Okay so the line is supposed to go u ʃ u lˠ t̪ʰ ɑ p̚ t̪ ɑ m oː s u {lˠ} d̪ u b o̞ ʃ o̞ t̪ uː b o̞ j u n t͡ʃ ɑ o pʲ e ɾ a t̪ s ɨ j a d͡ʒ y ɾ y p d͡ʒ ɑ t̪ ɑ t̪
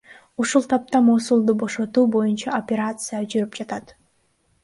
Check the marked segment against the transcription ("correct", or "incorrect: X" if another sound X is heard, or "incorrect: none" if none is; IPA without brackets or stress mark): correct